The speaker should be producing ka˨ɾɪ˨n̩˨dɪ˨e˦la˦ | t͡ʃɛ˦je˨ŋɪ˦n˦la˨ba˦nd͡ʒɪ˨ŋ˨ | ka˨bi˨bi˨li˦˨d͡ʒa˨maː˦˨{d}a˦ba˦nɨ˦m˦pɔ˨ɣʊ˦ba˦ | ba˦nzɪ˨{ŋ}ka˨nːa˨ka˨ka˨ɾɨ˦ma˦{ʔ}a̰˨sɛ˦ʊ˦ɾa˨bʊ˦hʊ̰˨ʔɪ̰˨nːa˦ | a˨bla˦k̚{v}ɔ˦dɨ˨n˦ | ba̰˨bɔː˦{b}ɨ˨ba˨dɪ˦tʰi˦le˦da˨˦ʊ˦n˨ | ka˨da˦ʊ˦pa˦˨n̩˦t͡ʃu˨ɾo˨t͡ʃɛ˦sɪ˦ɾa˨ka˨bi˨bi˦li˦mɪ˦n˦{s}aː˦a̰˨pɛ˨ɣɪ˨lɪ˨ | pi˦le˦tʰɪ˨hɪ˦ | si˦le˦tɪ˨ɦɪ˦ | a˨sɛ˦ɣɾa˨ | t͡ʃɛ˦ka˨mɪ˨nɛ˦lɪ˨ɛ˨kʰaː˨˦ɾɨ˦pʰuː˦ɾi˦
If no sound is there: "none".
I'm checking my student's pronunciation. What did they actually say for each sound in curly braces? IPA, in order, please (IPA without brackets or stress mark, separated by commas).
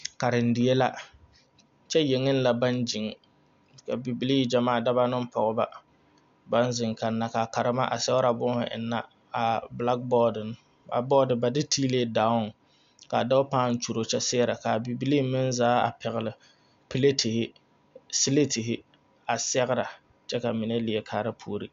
d, ŋ, ʔ, b, d, z